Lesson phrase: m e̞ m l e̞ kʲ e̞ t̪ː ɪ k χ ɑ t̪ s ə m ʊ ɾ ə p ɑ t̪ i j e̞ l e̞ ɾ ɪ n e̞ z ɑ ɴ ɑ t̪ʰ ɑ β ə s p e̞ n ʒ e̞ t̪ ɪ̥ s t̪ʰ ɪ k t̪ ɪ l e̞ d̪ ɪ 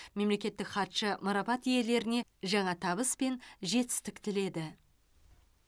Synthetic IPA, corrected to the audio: m e̞ m l e̞ kʲ e̞ t̪ː ɪ k χ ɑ t̪ ʃ ə m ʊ ɾ ɑ p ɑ t̪ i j e̞ l e̞ ɾ ɪ n e̞ ʒ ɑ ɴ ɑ t̪ʰ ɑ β ə s p e̞ n ʒ e̞ t̪ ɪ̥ s t̪ ɪ k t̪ ɪ l e̞ d̪ ɪ